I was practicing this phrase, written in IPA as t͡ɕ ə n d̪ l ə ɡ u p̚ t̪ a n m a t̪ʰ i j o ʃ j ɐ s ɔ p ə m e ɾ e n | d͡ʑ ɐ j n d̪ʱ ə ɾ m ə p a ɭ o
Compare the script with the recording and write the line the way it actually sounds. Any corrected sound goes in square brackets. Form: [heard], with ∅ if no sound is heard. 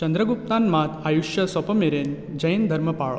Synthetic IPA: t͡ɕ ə n d̪ [ɾ] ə ɡ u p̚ t̪ a n m a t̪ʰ [a] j [u] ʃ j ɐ s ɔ p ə m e ɾ e n | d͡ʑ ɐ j n d̪ʱ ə ɾ m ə p a ɭ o